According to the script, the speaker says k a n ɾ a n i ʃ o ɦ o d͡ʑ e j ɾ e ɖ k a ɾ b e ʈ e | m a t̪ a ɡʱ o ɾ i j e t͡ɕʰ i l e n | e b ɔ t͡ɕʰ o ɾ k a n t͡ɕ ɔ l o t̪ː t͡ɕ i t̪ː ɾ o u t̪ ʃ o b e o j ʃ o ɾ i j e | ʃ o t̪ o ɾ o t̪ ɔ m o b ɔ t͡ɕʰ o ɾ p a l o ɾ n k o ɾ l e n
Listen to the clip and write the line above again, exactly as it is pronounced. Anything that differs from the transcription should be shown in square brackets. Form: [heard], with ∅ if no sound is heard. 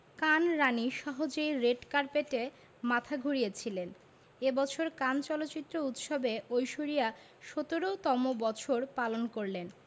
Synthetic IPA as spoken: k a n ɾ a n i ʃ [ɔ] ɦ o d͡ʑ e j ɾ e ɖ k a ɾ [p] e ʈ e | m a [t̪ʰ] a ɡʱ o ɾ i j e t͡ɕʰ i l e n | e b ɔ t͡ɕʰ o ɾ k a n t͡ɕ ɔ l o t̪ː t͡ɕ i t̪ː ɾ o u t̪ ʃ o b e o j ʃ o ɾ i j [a] | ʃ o t̪ o ɾ o t̪ ɔ m o b ɔ t͡ɕʰ o ɾ p a l o [∅] n k o ɾ l e n